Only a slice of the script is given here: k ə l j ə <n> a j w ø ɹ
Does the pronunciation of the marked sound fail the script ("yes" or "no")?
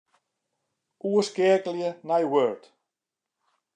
no